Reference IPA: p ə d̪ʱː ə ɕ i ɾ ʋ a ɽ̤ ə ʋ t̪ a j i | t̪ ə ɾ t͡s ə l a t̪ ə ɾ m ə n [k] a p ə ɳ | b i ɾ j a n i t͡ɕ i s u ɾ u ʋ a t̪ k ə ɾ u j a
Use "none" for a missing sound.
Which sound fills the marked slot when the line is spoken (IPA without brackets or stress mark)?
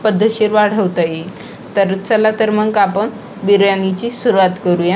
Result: k